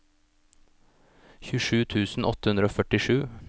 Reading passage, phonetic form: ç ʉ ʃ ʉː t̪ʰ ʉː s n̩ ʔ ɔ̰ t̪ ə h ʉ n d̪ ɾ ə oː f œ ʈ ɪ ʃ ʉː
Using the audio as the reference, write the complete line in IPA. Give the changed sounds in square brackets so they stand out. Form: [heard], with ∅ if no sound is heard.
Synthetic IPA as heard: ç ʉ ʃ ʉː t̪ʰ ʉː s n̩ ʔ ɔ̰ t̪ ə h ʉ n d̪ ɾ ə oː f œ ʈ ɪ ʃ ʉː